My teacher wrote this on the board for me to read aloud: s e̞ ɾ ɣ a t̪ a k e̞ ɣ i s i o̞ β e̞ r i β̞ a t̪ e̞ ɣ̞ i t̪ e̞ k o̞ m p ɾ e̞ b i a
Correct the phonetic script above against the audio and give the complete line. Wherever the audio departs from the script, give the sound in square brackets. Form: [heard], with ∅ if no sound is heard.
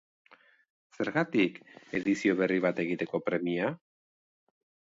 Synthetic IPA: s e̞ ɾ ɣ a t̪ [i] k e̞ [ð] i s i o̞ β e̞ r i β̞ a t̪ e̞ ɣ̞ i t̪ e̞ k o̞ [∅] p ɾ e̞ [m] i a